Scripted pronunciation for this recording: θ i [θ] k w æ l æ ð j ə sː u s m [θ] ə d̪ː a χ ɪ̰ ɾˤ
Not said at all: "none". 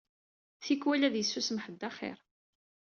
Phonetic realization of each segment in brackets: none, ħ

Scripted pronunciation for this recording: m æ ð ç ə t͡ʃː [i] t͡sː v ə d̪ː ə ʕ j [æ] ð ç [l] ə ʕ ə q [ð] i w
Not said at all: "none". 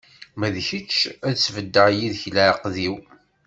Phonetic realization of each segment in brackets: æ, i, l, ð

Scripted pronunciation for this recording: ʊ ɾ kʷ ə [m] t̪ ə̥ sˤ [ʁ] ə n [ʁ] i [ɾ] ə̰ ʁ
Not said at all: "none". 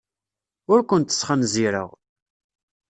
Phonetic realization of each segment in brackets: n, χ, z, ɾ

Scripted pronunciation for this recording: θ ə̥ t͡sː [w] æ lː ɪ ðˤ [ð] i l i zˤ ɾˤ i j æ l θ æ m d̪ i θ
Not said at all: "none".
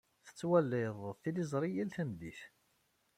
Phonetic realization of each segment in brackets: w, θ

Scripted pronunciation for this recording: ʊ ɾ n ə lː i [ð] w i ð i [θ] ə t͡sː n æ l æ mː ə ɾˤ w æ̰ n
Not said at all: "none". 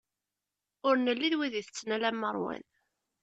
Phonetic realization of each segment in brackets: ð, θ

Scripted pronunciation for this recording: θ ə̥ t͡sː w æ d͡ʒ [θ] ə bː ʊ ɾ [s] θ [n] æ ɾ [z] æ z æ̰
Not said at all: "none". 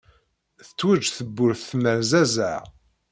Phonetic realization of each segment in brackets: θ, θ, m, z

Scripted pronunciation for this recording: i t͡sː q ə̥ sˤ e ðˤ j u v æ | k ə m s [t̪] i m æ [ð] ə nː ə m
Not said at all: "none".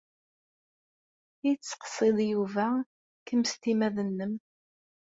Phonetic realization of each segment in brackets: t̪, ð

